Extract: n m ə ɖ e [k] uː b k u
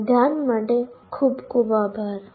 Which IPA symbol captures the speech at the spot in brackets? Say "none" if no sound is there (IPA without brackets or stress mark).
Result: kʰ